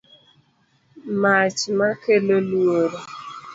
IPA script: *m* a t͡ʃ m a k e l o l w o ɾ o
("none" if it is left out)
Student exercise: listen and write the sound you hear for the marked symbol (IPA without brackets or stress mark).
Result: m